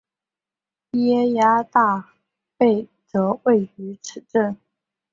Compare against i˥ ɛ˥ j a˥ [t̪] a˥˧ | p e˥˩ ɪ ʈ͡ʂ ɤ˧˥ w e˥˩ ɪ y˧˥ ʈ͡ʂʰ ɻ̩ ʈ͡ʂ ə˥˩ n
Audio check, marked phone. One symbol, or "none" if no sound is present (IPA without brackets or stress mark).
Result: t̪